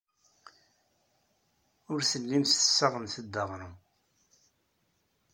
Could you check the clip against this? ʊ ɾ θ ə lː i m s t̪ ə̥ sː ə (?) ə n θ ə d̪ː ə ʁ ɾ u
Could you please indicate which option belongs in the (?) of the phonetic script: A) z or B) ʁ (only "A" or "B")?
B